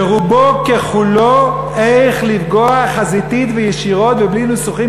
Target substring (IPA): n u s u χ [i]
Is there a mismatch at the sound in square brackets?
no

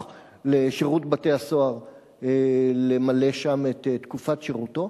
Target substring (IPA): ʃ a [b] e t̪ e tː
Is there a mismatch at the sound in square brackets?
yes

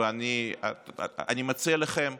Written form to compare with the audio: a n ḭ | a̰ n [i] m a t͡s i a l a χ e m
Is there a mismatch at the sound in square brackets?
no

